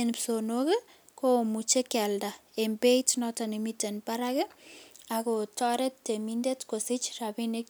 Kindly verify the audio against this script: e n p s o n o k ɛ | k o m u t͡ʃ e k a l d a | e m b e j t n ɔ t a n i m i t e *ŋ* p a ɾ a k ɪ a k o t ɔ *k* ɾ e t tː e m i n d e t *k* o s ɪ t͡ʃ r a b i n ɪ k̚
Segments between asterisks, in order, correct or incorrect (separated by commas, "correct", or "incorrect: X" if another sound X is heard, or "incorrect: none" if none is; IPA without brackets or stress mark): incorrect: n, incorrect: none, correct